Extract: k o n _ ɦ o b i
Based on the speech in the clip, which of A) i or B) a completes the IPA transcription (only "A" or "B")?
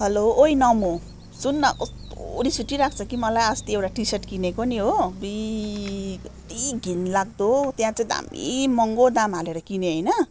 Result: A